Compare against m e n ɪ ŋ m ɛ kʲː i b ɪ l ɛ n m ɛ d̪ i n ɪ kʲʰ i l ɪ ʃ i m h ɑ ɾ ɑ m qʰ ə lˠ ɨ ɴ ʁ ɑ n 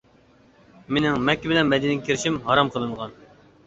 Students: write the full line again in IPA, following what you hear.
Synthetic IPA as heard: m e n ɪ ŋ m ɛ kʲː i b ɪ l ɛ n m ɛ d̪ i n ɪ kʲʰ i ɾ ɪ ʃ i m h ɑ ɾ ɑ m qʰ ə lˠ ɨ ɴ ʁ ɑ n